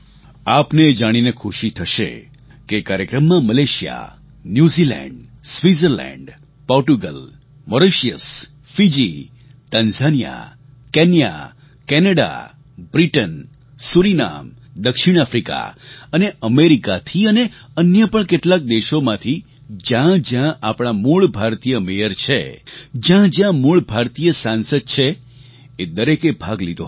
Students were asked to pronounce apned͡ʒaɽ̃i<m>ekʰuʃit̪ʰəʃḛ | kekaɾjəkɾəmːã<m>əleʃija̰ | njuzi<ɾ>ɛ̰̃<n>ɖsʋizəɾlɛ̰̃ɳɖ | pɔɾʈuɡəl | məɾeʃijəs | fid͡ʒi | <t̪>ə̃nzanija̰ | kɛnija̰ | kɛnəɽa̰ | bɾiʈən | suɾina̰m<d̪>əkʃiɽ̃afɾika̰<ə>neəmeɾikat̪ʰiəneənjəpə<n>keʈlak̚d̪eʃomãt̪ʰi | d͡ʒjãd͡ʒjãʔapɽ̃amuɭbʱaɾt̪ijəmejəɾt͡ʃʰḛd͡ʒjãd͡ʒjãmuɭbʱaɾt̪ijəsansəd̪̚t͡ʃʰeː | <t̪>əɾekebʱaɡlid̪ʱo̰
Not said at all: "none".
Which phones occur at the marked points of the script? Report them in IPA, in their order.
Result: n, m, l, ɳ, t̪, d̪, ə, ɳ, d̪

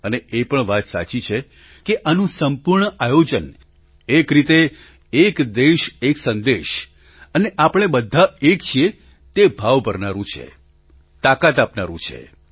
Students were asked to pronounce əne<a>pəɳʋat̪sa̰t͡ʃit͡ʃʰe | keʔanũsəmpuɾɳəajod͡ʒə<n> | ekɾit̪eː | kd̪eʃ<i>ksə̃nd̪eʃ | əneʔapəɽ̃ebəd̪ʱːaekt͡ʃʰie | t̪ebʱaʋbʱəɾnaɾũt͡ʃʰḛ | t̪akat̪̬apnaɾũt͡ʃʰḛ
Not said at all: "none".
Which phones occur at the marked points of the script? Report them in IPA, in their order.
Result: e, n, e

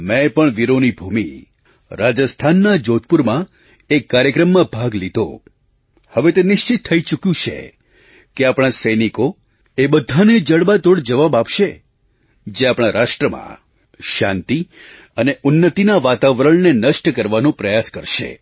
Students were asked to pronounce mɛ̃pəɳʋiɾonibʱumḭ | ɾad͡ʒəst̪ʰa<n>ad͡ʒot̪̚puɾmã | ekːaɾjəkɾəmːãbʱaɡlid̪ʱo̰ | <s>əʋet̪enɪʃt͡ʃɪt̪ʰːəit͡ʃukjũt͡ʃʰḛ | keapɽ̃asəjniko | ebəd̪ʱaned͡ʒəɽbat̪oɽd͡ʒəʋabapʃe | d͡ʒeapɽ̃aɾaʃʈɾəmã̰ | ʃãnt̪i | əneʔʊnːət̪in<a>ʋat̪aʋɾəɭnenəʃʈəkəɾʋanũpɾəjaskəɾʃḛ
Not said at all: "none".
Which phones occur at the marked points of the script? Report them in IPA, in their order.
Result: nː, h, a

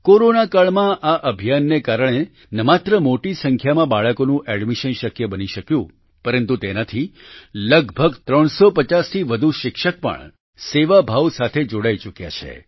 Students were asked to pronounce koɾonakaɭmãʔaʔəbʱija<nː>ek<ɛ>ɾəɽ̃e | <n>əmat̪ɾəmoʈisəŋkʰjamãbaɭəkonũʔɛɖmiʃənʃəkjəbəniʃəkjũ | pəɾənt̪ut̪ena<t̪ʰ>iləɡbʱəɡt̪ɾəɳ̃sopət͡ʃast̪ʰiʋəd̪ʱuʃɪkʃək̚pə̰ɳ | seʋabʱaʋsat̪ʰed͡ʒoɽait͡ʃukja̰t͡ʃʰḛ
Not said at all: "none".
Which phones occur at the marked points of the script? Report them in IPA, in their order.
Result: nː, a, n, t̪ʰ

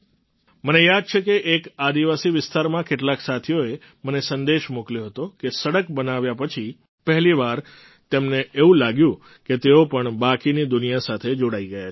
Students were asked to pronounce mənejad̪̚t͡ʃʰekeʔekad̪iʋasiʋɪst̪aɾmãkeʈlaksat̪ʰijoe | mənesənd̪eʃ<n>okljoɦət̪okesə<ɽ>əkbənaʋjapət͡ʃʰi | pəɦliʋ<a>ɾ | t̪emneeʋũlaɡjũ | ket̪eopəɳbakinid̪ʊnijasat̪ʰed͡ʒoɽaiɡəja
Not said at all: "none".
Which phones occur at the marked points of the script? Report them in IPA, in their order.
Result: m, ɽ, a

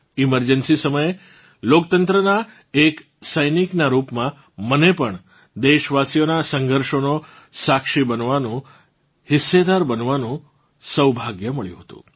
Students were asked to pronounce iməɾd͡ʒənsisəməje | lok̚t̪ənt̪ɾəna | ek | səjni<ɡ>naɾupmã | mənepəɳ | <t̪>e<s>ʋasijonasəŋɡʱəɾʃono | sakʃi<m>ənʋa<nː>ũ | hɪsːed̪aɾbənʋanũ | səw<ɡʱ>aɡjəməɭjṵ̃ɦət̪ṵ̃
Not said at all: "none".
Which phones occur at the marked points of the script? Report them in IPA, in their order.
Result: k, d̪, ʃ, b, n, bʱ

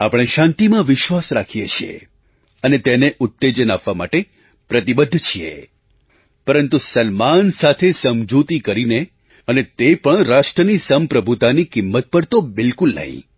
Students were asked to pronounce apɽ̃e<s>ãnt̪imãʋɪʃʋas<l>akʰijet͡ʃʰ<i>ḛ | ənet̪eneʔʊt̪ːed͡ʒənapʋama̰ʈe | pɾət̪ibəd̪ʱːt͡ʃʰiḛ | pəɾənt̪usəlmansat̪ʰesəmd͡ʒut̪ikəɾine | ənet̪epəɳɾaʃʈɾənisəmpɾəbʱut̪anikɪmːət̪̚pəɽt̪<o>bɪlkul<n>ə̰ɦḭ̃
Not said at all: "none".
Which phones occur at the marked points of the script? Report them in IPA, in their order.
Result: ʃ, ɾ, i, o, n

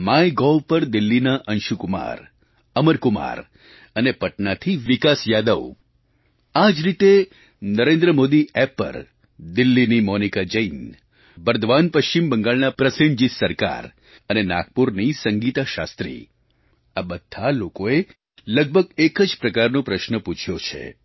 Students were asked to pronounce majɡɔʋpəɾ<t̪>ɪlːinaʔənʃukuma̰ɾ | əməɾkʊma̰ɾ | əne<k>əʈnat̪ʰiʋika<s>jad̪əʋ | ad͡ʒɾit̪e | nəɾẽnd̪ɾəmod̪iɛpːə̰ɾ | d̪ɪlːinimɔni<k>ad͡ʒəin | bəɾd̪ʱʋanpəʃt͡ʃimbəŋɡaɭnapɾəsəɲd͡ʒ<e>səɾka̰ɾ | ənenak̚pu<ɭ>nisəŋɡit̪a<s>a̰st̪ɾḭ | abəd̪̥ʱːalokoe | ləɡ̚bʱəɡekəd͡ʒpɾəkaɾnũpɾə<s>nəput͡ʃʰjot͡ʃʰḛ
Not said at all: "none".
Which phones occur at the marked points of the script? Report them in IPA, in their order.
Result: d̪, p, s, k, i, ɾ, ʃ, ʃ

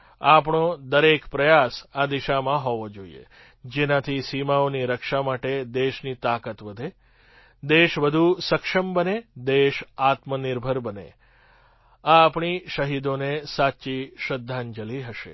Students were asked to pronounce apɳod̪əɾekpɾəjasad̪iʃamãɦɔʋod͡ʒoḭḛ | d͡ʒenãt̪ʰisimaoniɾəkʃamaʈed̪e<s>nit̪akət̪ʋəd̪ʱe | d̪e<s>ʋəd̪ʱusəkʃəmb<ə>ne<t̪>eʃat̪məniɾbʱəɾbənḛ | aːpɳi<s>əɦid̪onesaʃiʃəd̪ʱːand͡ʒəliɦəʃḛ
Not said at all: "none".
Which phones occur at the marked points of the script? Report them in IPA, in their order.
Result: ʃ, ʃ, ə, d̪, ʃ

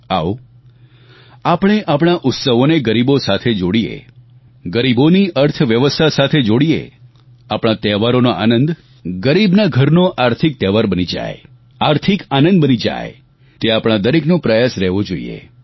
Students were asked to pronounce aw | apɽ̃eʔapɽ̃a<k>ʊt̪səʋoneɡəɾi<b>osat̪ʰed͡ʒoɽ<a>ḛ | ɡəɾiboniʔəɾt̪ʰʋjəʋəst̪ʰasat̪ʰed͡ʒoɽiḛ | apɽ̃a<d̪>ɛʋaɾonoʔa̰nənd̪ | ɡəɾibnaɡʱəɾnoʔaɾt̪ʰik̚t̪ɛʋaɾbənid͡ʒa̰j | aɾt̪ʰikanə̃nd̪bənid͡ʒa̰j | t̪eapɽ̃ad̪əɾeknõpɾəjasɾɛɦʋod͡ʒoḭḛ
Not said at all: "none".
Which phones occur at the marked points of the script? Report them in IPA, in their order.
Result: ʔ, b, i, t̪

